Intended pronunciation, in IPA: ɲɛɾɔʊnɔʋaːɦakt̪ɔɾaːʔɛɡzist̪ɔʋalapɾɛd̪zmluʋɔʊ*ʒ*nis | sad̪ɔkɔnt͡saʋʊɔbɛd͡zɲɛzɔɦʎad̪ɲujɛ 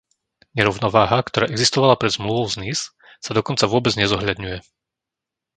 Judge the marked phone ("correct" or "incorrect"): incorrect